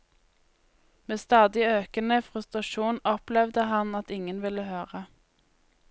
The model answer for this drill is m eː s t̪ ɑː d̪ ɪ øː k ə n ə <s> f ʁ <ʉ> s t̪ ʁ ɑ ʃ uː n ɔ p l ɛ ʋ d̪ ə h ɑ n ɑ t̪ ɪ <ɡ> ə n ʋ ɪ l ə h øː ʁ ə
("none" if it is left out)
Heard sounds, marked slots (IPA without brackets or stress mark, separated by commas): none, ʉ, ŋ